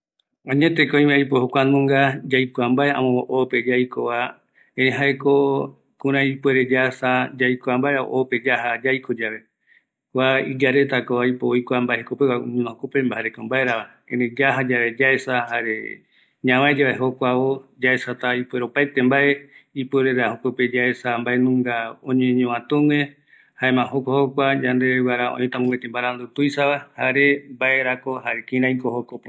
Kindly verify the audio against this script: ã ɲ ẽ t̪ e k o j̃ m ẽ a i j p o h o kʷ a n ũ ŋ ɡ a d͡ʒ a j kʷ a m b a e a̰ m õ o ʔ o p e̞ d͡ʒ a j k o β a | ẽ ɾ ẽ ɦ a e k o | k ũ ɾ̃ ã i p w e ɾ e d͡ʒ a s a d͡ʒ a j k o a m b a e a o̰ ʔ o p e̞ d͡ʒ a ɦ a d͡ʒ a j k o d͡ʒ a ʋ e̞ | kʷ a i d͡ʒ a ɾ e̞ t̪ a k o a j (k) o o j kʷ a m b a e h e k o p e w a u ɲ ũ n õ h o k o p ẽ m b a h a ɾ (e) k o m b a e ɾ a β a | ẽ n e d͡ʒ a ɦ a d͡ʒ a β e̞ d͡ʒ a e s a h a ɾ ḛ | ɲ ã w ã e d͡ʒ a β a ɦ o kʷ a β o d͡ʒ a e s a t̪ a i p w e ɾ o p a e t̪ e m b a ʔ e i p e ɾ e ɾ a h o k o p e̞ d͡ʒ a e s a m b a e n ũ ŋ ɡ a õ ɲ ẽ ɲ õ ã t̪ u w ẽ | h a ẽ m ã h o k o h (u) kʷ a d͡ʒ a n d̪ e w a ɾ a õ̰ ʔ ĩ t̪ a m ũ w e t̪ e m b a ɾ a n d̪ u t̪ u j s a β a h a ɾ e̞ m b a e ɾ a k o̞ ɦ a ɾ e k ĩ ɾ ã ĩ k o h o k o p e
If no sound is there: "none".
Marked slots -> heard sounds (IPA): p, e, o

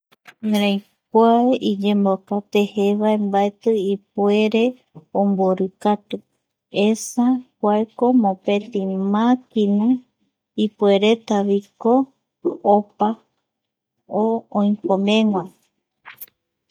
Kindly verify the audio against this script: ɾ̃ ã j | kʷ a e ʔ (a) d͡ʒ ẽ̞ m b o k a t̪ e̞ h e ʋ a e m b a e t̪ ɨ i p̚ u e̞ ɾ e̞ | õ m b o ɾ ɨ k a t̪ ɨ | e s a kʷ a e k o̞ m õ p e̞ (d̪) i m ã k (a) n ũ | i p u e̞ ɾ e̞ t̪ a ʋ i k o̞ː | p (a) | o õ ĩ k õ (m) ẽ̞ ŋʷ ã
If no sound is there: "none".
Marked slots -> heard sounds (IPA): i, t̪, i, a, m

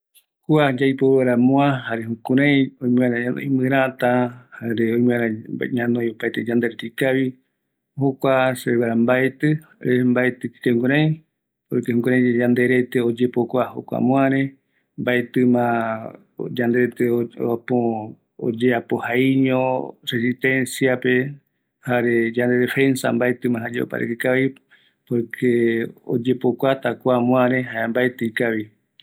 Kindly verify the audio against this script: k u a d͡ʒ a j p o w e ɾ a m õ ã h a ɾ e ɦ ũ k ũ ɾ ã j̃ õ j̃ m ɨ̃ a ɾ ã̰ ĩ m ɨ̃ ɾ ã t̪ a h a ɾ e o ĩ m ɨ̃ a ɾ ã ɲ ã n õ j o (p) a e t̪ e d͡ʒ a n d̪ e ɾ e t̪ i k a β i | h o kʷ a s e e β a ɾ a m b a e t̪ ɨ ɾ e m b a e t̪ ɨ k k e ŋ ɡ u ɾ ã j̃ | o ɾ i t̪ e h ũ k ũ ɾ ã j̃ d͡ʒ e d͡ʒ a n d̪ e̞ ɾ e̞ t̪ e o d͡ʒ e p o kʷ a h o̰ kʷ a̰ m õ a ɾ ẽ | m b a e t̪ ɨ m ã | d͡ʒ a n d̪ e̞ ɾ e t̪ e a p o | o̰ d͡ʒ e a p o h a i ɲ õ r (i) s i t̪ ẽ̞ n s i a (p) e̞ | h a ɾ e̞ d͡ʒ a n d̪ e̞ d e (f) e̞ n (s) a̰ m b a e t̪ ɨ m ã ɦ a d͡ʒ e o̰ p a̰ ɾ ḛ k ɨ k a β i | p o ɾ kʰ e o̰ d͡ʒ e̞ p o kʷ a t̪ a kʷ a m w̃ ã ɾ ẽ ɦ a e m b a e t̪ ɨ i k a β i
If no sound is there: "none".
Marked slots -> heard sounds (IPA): p, e, p, f, s

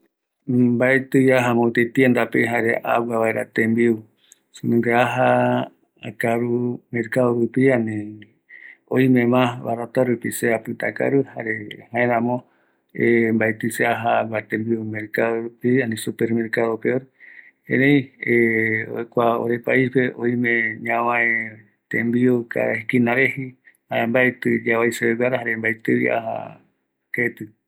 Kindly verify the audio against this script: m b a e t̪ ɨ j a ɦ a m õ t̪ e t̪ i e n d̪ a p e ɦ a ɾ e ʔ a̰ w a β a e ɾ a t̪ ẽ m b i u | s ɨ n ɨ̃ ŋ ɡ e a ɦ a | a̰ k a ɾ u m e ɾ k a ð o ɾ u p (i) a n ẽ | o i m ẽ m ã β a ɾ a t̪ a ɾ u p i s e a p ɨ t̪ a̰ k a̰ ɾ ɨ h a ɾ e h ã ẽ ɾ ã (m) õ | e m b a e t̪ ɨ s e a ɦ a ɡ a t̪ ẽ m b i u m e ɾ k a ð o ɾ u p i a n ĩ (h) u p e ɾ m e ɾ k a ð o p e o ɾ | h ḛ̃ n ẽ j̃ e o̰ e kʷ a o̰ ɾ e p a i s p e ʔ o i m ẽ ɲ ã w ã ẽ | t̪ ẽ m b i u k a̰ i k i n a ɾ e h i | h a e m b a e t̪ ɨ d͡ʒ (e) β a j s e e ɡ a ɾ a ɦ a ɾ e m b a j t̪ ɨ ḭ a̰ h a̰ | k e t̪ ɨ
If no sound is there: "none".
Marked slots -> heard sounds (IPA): i, m, s, a

